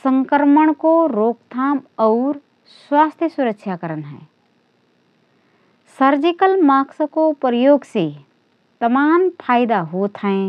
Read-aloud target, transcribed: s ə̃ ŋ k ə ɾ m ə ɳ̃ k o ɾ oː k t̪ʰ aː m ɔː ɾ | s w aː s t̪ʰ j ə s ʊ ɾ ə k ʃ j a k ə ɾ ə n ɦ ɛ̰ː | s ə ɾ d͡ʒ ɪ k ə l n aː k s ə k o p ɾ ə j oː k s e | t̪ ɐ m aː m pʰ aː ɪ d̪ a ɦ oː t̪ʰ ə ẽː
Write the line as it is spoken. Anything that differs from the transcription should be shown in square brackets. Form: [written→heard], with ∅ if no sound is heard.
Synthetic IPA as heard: s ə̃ ŋ k ə ɾ m ə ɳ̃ k o ɾ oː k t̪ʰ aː m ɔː ɾ | s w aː s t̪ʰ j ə s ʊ ɾ ə k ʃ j a k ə ɾ ə n ɦ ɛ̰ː | s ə ɾ d͡ʒ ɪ k ə l [n→m] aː k s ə k o p ɾ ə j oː [k→ɡ] s e | t̪ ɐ m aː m pʰ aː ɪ d̪ a ɦ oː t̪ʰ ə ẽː